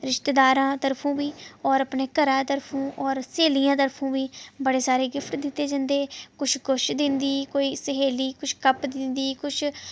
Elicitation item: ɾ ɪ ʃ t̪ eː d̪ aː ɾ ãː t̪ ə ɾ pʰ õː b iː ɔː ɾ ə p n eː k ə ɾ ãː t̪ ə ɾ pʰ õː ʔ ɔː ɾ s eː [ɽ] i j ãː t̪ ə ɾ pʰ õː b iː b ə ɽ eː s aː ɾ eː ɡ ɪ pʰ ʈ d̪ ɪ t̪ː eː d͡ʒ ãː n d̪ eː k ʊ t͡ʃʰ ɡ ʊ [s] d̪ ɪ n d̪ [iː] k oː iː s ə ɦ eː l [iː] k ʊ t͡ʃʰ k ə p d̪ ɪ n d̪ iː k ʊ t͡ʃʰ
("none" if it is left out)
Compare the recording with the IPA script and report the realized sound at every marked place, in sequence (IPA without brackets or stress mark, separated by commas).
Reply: l, ʃ, iː, iː